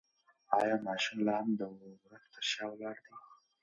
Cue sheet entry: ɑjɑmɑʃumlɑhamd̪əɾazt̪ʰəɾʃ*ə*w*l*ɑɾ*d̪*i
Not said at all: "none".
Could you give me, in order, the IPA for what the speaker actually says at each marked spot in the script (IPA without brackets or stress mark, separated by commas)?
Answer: ɑ, l, d̪